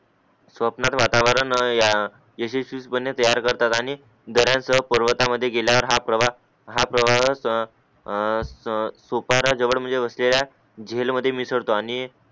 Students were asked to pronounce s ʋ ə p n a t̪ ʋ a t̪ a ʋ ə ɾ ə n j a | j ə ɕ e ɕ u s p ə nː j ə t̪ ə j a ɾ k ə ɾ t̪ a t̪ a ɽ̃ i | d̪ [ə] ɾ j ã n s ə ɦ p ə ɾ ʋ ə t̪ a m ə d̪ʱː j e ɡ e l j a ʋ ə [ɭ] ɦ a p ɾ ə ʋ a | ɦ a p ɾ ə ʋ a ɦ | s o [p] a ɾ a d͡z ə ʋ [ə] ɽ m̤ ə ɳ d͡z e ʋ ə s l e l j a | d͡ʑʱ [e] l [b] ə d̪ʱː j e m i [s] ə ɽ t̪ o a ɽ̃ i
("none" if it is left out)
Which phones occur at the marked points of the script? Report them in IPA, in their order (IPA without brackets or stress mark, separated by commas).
ə, ɾ, p, ə, e, m, s